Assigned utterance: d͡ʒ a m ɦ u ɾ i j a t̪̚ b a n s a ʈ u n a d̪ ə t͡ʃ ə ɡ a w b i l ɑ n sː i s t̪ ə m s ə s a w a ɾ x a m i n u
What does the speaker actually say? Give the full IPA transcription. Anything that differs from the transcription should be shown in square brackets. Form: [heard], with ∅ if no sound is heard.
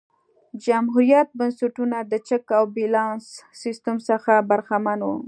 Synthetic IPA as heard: d͡ʒ a m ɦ u ɾ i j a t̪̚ b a n s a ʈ u n a d̪ ə t͡ʃ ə [k] a w b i l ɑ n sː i s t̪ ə m s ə [x] a [b] a ɾ x a m [a] n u